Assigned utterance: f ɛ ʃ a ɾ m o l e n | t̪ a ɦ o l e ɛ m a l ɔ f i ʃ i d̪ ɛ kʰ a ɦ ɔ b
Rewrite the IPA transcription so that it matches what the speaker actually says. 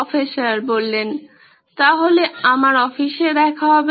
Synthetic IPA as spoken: f e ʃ a ɾ b o lː e n | t̪ a ɦ o l e a m a ɾ ɔ f i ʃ e d̪ ɛ kʰ a ɦ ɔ b